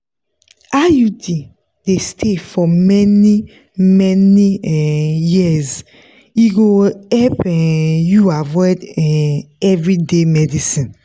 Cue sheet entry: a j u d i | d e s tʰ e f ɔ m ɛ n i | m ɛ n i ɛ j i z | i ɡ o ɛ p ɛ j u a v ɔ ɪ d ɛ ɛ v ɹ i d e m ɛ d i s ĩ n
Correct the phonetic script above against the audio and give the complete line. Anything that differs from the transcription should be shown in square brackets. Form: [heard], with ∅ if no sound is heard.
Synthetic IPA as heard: a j u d i | d e s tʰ e f ɔ m ɛ n i | m ɛ n i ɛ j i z | i ɡ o ɛ p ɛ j u a v ɔ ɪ d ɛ ɛ v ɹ i d e m ɛ d i s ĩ n